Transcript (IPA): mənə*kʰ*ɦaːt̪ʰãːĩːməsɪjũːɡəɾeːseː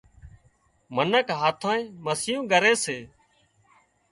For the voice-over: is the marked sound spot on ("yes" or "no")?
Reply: no